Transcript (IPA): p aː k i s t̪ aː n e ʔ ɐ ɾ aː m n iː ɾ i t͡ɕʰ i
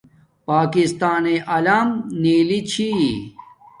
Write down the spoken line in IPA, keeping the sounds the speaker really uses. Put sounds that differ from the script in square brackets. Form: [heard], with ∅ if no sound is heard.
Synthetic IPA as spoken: p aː k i s t̪ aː n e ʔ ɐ [l] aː m n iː [l] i t͡ɕʰ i